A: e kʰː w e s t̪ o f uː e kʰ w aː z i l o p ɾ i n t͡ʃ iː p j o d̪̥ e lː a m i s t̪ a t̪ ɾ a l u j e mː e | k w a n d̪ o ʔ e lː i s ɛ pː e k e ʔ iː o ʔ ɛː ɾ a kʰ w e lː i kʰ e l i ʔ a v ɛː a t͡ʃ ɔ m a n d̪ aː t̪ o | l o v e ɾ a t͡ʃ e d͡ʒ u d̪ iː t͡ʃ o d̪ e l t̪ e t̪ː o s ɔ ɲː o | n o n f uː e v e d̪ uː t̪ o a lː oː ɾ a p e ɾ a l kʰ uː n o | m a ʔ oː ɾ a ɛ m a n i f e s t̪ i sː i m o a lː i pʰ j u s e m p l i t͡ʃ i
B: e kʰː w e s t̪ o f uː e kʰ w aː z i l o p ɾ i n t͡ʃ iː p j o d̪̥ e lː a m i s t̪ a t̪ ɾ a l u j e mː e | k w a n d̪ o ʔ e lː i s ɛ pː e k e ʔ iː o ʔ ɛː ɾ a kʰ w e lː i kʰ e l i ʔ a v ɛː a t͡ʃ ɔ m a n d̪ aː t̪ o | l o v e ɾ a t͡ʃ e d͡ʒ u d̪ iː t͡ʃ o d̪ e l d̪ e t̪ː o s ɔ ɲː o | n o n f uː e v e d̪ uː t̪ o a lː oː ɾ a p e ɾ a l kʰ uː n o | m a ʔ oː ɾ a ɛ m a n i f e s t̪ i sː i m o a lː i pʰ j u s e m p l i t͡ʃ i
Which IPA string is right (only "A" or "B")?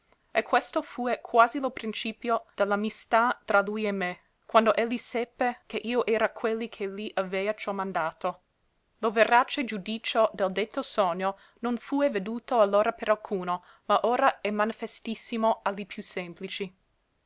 B